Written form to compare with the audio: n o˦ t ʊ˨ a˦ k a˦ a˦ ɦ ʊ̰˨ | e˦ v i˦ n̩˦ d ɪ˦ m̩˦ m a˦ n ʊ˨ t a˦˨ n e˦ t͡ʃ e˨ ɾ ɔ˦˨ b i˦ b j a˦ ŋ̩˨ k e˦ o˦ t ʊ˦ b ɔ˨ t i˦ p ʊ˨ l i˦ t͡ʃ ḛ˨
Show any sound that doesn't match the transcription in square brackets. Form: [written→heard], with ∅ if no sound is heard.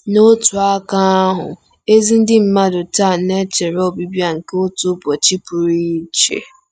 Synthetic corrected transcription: n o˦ t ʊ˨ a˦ k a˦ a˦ ɦ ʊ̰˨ | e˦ [v→z] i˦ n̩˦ d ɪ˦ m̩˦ m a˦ [n→d] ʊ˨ t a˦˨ n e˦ t͡ʃ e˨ ɾ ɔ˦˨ b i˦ b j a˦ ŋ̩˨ k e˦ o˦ t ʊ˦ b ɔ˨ [t→t͡ʃ] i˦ p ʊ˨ [l→ɾ] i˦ t͡ʃ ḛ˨

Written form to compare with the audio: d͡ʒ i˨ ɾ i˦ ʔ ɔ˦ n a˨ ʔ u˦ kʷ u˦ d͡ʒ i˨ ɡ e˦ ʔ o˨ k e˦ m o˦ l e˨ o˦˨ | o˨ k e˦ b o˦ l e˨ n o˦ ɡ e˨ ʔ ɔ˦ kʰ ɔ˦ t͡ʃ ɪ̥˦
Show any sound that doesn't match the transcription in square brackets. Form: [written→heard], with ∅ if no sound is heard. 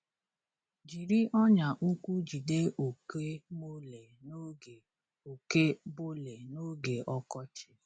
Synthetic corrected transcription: d͡ʒ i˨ ɾ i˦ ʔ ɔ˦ [n→ɲ] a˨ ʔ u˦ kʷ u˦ d͡ʒ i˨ [ɡ→d] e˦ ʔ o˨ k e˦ m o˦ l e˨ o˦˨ | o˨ k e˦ b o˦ l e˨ n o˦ ɡ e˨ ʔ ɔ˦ [kʰ→k] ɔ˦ t͡ʃ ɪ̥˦

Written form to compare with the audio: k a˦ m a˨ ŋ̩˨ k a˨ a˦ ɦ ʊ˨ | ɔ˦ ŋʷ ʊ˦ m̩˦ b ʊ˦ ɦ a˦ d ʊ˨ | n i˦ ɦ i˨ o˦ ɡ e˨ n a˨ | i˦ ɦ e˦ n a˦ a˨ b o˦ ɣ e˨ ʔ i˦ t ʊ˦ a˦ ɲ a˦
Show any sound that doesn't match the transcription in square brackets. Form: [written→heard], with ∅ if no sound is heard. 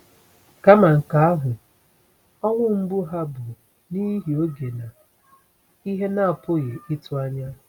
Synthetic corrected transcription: k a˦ m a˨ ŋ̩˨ k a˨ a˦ ɦ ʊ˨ | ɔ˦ ŋʷ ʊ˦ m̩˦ b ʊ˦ ɦ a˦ [d→b] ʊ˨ | n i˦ ɦ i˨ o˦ ɡ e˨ n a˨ | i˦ ɦ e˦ n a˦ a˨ [b→p] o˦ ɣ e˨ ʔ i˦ t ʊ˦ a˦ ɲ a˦

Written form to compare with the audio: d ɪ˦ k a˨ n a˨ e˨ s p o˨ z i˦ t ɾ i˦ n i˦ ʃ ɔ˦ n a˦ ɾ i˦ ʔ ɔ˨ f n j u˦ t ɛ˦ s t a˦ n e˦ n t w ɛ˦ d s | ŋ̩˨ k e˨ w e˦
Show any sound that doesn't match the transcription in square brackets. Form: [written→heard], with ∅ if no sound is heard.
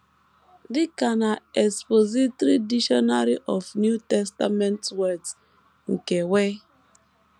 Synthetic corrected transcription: d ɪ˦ k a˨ n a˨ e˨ s p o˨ z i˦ t ɾ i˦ [n→d] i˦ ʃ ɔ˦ n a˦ ɾ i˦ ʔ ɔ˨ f n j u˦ t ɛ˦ s t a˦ [n→m] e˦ n t w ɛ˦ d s | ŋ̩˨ k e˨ w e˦

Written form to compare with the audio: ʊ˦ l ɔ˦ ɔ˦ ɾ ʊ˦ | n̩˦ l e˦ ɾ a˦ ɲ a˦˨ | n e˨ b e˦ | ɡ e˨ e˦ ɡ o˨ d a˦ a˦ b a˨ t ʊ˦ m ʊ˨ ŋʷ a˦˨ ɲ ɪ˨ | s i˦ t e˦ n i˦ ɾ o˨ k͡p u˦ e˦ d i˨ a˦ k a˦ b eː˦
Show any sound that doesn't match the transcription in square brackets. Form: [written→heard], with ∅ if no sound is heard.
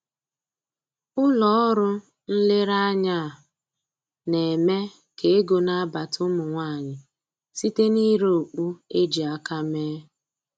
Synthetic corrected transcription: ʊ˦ l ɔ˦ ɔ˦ ɾ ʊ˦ | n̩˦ l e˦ ɾ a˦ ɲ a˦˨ | n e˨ [b→m] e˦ | [ɡ→k] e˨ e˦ ɡ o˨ [d→n] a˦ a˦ b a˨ t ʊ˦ m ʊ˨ ŋʷ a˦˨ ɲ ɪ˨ | s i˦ t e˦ n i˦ ɾ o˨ k͡p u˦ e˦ [d→d͡ʒ] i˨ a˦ k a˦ [b→m] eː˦

